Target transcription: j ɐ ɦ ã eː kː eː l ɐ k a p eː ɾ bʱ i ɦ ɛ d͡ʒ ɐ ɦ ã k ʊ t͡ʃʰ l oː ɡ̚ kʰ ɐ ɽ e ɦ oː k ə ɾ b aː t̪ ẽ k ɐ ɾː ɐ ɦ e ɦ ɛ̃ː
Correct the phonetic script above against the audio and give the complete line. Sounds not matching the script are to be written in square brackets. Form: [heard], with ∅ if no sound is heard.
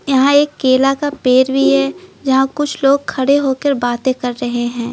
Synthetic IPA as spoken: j ɐ ɦ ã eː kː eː l [a] k a p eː ɾ bʱ i ɦ ɛ d͡ʒ ɐ ɦ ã k ʊ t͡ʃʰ l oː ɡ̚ kʰ ɐ ɽ e ɦ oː k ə ɾ b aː t̪ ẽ k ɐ ɾː ɐ ɦ e ɦ ɛ̃ː

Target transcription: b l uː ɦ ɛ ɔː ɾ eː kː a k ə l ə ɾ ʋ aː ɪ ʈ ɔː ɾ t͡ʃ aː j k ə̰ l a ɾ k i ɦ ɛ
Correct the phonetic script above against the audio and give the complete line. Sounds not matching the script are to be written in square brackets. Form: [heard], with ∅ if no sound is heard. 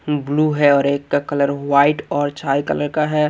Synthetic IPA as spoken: b l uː ɦ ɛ ɔː ɾ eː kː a k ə l ə ɾ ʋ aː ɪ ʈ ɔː ɾ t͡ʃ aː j k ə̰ l [ə] ɾ k [a] ɦ ɛ

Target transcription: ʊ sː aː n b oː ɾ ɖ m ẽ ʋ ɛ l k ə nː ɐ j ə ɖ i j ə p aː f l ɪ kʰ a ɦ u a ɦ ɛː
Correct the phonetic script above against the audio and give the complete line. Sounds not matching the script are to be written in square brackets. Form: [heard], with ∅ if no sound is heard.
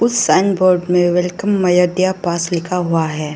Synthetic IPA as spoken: ʊ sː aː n b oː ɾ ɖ m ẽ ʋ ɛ l k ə [mː] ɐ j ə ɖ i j [a] p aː [s] l ɪ kʰ a ɦ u a ɦ ɛː

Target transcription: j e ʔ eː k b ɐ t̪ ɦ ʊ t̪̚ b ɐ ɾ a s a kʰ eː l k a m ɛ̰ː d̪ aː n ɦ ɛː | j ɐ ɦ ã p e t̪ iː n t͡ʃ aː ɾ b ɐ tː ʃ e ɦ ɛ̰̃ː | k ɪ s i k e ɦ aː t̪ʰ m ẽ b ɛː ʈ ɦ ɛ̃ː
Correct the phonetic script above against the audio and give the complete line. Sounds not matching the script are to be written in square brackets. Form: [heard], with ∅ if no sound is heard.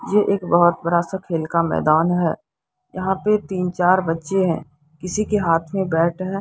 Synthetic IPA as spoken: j e ʔ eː k b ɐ [∅] ɦ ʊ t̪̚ b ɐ ɾ a s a kʰ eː l k a m ɛ̰ː d̪ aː n ɦ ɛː | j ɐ ɦ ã p e t̪ iː n t͡ʃ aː ɾ b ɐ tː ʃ e ɦ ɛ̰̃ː | k ɪ s i k e ɦ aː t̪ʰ m ẽ b ɛː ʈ ɦ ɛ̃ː

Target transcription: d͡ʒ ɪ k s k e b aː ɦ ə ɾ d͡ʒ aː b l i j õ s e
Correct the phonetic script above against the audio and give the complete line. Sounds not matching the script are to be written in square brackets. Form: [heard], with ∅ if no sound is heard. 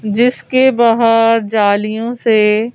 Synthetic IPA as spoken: d͡ʒ ɪ [∅] s k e b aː ɦ ə ɾ d͡ʒ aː [∅] l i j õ s e

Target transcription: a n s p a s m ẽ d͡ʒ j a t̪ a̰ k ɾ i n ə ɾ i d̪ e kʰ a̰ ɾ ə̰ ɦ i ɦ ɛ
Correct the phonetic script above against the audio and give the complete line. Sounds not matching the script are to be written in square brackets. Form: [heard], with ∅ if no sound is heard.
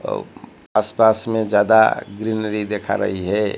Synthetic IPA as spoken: a [∅] s p a s m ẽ d͡ʒ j a [d̪] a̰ [ɡ] ɾ i n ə ɾ i d̪ e kʰ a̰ ɾ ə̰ ɦ i ɦ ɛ

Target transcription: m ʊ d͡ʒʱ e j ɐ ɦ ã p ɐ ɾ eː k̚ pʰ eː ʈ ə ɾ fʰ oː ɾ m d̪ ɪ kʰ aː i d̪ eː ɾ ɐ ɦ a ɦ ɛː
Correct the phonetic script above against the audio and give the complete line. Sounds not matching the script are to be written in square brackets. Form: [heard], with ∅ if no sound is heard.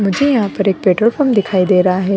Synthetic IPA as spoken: m ʊ d͡ʒʱ e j ɐ ɦ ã p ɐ ɾ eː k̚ [p] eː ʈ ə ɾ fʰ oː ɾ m d̪ ɪ kʰ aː i d̪ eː ɾ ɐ ɦ a ɦ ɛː

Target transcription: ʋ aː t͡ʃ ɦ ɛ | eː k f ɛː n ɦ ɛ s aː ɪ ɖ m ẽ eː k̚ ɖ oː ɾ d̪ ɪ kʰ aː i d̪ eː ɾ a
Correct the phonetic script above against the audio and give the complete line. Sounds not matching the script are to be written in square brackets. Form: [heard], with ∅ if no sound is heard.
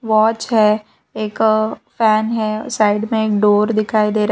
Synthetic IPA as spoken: ʋ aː t͡ʃ ɦ ɛ | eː k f ɛː n ɦ ɛ s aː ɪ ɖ m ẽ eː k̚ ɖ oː ɾ d̪ ɪ kʰ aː i d̪ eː ɾ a

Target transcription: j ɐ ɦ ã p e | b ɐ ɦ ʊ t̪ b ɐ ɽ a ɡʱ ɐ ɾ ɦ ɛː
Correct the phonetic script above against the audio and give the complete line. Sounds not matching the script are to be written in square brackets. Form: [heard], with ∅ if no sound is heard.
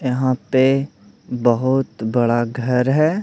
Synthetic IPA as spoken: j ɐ ɦ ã p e | b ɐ ɦ ʊ t̪ b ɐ ɽ a ɡʱ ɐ ɾ ɦ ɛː

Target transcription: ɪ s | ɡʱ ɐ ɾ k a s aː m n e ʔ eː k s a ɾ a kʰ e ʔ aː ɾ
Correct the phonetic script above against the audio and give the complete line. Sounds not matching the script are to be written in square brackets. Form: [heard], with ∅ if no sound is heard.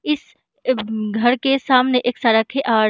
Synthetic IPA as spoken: ɪ s | ɡʱ ɐ ɾ k [e] s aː m n e ʔ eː k s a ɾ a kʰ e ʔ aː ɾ

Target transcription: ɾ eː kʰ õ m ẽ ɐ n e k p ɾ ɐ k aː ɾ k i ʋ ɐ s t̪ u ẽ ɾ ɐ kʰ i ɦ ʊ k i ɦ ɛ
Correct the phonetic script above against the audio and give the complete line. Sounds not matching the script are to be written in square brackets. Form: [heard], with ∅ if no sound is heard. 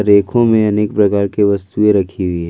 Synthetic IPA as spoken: ɾ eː kʰ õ m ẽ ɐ n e k p ɾ ɐ k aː ɾ k [e] ʋ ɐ s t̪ u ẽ ɾ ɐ kʰ i ɦ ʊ [∅] i ɦ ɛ

